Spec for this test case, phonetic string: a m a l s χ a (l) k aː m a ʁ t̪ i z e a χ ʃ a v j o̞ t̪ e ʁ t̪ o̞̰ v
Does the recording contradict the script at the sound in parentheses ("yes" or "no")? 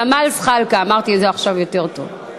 no